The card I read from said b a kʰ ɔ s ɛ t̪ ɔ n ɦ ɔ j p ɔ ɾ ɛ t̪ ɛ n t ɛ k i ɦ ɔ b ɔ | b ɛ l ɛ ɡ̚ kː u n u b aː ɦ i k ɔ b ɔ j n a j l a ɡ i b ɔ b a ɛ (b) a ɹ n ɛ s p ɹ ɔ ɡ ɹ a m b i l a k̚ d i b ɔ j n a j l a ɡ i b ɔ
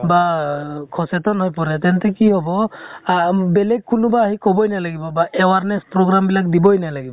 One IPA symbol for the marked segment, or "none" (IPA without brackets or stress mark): w